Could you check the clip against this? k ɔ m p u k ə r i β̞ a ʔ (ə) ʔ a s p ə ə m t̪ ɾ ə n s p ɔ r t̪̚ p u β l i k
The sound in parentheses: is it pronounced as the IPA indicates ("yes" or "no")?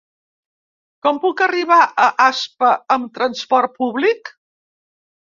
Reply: yes